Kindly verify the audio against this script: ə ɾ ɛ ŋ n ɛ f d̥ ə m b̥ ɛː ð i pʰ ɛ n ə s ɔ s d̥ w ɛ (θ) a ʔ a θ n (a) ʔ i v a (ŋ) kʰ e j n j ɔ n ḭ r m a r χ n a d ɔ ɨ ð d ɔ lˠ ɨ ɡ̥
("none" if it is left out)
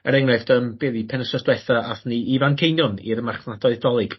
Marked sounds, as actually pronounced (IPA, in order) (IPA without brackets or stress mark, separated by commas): θ, i, n